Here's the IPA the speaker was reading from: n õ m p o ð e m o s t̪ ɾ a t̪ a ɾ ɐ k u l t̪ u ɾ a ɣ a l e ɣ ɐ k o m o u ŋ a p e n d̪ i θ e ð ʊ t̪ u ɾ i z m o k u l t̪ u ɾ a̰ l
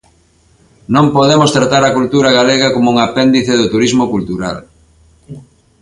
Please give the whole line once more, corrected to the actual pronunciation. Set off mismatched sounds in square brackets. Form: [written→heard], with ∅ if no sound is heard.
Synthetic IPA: n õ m p o ð e m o s t̪ ɾ a t̪ a ɾ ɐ k u l t̪ u ɾ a ɣ a l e ɣ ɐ k o m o u ŋ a p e n d̪ i θ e ð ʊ t̪ u ɾ i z m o k u l t̪ u ɾ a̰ l